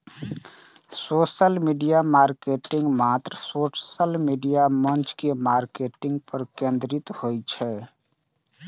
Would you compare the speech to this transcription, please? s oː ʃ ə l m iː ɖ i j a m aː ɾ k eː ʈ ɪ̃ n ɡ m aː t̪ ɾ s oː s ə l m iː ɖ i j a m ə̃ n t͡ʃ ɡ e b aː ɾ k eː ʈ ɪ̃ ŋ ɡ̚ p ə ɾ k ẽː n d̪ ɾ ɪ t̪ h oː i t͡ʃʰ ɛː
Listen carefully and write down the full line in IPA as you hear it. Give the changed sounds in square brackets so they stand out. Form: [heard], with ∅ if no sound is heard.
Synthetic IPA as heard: s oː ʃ ə l m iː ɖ i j a m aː ɾ k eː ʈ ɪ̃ [ŋ] ɡ m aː t̪ ɾ s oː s ə l m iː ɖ i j a m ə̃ n t͡ʃ [k] e [m] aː ɾ k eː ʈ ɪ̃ ŋ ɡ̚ p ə ɾ k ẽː n d̪ ɾ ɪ t̪ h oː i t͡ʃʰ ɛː